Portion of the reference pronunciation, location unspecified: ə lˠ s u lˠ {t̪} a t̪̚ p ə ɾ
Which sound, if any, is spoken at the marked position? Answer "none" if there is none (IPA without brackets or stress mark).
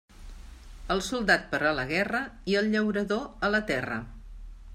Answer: d̪